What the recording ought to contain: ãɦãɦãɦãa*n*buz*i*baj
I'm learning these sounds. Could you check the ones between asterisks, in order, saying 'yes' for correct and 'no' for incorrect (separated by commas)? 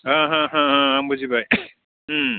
no, yes